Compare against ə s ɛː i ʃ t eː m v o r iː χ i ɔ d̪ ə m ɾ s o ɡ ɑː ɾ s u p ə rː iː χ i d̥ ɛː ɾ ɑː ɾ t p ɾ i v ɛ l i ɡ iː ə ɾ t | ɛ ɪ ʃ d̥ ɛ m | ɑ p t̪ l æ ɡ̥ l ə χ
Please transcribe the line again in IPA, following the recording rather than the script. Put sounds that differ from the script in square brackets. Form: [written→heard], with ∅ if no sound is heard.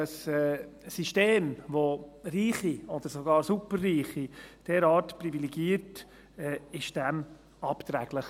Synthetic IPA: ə s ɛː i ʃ t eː m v o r iː χ i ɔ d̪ ə [m→∅] ɾ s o ɡ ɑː ɾ s u p ə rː iː χ i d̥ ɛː ɾ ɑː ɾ t p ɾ i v [ɛ→i] l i ɡ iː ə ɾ t | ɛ ɪ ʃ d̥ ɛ m | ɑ p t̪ [l→ɾ] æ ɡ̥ l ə χ